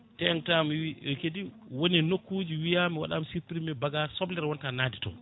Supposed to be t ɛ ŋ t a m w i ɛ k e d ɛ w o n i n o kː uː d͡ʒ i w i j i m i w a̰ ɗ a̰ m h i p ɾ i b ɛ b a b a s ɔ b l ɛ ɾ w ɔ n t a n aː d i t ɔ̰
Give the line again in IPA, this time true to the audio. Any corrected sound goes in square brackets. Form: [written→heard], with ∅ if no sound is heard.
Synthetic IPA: t ɛ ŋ t a m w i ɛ k e d [ɛ→i] w o n i n o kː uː d͡ʒ i w i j [i→a] m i w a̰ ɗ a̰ m [h→s] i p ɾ i [b→m] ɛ b a [b→ɡ] a s ɔ b l ɛ ɾ w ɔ n t a n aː d i t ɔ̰